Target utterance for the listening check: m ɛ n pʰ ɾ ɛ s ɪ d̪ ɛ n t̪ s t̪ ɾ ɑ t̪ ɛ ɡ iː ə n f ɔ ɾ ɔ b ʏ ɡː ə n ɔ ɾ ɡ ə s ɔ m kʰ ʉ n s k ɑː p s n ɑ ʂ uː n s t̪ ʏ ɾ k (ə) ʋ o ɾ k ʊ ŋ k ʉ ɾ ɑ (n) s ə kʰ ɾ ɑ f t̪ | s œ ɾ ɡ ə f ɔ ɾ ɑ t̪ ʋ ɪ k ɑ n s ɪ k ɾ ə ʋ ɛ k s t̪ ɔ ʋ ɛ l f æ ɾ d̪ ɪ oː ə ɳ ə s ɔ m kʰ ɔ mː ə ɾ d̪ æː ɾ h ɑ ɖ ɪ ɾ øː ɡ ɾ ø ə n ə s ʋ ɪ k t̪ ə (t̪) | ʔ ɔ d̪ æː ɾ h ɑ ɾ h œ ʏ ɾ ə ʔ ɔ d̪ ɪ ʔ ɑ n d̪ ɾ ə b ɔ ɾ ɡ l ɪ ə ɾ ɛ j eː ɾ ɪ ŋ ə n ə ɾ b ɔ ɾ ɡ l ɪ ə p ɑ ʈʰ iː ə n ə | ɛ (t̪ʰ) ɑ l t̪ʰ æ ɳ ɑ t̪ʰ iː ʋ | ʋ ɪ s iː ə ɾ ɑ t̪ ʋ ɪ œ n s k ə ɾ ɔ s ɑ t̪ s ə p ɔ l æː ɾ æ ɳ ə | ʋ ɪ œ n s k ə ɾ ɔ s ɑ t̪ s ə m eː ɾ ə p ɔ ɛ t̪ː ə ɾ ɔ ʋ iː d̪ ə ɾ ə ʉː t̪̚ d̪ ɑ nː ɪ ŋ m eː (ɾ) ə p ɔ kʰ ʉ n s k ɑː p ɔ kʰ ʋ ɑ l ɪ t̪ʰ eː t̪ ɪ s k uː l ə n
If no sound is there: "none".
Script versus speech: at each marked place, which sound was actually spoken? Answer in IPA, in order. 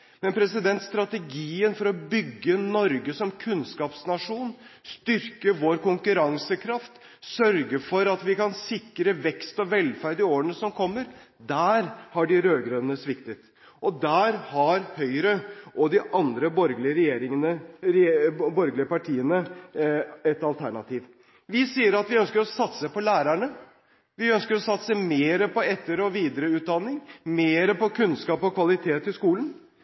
ə, ŋ, t̪, t̪, ɾ

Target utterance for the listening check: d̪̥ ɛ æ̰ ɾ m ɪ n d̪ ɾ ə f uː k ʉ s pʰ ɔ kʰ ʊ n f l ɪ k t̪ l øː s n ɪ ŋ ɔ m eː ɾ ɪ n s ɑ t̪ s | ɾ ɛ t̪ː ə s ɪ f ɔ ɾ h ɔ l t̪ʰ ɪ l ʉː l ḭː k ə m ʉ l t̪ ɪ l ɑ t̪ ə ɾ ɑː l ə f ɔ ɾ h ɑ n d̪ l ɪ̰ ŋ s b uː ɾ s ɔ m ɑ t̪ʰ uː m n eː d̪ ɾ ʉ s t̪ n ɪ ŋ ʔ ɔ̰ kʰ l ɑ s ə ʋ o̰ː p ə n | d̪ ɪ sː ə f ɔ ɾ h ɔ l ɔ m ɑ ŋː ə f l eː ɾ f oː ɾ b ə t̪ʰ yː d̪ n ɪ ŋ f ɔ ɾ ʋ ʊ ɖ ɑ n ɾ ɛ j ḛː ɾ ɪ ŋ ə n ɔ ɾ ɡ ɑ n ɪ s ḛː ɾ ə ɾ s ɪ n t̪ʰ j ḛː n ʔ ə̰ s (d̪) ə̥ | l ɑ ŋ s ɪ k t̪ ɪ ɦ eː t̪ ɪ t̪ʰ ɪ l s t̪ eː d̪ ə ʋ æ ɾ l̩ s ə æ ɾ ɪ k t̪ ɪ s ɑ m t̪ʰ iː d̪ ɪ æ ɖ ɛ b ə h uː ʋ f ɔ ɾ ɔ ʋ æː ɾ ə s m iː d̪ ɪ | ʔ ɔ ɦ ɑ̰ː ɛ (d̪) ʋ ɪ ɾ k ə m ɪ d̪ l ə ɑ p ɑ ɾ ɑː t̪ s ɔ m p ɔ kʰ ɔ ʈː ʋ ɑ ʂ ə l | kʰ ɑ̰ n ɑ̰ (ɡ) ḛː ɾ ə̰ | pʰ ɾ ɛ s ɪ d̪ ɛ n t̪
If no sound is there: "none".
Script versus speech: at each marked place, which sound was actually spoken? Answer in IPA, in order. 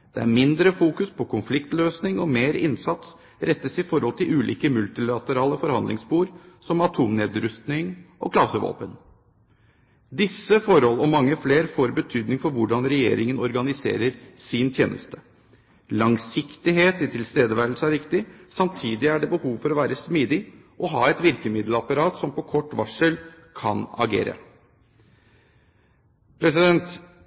t̪, t̪, ɡ

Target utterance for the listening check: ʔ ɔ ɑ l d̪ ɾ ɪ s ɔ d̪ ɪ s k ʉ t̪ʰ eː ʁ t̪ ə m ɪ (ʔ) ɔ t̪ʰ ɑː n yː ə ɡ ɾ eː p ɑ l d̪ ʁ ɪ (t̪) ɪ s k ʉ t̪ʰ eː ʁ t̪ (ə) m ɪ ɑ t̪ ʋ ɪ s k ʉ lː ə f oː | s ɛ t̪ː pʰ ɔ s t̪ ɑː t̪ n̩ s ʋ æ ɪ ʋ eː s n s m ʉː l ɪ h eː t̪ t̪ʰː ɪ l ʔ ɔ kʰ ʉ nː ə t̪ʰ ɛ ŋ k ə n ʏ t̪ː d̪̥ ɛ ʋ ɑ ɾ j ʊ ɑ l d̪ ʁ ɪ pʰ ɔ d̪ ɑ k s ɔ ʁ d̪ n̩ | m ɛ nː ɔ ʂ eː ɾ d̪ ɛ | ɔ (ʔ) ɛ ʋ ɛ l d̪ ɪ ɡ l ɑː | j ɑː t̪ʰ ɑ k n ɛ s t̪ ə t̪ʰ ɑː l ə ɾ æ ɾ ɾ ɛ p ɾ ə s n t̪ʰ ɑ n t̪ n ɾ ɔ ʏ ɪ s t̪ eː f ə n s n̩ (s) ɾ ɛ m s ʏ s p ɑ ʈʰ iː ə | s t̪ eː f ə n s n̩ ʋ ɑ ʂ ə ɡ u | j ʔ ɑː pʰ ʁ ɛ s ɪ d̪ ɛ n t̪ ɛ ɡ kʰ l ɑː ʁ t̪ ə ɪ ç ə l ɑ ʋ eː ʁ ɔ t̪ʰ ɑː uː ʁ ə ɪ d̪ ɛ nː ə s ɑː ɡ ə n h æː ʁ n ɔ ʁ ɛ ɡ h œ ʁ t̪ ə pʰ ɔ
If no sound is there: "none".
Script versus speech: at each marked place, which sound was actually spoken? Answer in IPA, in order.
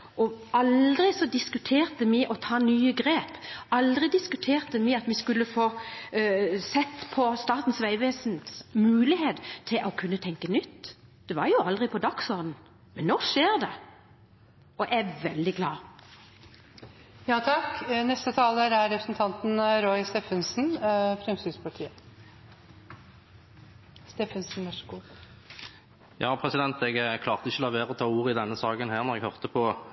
ʔ, d̪, ə, ʔ, f

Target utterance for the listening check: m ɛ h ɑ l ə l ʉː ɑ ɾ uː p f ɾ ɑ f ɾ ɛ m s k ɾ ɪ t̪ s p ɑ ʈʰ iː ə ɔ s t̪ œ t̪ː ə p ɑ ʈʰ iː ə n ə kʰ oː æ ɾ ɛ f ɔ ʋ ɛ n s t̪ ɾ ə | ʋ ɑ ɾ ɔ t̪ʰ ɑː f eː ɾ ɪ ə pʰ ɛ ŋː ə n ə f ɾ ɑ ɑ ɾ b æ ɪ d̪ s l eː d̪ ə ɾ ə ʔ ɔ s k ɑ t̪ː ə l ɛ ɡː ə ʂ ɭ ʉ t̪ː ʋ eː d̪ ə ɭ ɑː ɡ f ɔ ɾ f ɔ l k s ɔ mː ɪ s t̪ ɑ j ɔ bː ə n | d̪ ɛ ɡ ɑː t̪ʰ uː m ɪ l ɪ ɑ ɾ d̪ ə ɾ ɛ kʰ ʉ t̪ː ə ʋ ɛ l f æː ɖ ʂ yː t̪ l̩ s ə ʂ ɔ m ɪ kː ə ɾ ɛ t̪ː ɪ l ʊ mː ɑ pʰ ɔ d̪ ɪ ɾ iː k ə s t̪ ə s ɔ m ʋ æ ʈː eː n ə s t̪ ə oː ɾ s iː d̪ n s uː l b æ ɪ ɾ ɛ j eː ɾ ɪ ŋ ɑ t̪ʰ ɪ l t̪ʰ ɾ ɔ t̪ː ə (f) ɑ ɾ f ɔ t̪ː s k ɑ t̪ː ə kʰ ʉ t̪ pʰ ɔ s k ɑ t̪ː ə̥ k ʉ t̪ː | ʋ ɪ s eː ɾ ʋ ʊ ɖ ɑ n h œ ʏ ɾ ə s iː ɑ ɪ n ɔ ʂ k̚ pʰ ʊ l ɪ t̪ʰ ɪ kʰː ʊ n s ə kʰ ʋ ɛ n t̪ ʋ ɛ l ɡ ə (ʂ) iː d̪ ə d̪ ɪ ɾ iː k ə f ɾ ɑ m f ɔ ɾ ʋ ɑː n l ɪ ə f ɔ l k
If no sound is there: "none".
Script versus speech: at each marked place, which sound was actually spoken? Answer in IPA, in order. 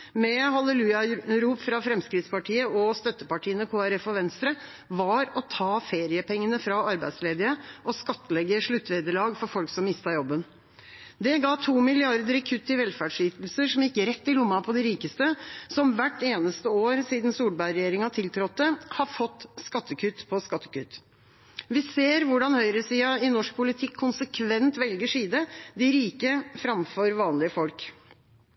h, ʂ

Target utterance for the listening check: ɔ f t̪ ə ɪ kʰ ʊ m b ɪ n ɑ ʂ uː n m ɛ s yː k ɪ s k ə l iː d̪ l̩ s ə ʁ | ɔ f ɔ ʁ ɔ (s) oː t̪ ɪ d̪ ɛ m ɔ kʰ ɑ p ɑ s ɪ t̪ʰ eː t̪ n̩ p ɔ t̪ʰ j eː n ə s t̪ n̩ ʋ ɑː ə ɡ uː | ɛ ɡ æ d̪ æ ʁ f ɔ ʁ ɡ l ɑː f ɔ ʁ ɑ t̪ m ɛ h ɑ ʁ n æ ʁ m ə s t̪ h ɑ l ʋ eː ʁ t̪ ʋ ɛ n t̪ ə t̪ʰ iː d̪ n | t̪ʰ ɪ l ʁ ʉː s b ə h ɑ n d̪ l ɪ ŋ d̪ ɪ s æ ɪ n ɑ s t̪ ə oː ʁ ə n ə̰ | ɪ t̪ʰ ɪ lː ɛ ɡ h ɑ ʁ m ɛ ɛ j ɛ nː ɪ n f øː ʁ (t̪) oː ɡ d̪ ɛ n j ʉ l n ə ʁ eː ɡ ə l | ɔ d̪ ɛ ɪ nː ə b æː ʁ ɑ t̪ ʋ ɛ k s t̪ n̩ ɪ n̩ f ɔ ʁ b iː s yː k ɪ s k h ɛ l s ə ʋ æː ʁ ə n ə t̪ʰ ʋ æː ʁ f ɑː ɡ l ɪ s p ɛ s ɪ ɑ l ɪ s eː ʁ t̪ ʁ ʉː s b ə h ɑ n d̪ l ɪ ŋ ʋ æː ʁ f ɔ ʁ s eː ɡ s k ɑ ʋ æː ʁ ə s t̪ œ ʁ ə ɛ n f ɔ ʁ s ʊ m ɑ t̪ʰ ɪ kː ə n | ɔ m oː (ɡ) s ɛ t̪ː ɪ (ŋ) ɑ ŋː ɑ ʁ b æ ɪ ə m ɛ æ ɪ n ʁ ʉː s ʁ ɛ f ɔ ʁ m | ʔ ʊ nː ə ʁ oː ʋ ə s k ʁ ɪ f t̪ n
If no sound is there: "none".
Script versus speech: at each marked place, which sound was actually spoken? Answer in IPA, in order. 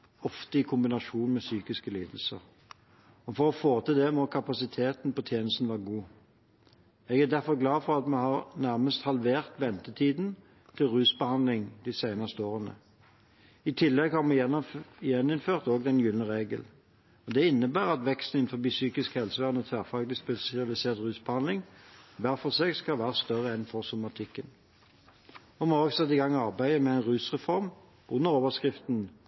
f, t̪, ɡ, ɡ

